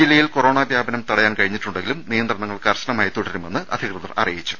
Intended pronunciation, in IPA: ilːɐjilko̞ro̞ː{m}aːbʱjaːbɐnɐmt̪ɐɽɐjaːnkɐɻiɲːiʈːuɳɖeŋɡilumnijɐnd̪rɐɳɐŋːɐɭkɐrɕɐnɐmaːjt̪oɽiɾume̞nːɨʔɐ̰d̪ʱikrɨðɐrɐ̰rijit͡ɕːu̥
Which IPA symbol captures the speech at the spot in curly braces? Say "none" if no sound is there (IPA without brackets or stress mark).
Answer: ɳ